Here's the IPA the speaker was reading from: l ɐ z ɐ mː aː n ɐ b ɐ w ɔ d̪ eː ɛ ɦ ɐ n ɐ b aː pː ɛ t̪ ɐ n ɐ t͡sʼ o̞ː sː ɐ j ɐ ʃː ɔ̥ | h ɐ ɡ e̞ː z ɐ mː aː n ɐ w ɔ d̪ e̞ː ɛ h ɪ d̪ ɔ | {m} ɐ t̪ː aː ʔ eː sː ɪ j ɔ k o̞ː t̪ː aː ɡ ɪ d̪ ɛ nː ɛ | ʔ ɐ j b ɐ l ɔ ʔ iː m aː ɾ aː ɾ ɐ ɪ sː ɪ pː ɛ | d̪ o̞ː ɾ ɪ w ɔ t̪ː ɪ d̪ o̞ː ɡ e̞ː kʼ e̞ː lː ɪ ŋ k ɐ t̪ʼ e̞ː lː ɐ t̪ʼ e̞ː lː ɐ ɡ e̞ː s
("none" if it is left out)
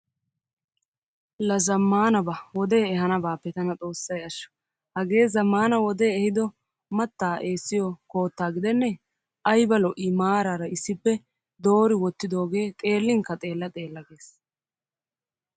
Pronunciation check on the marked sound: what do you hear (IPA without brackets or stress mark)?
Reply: m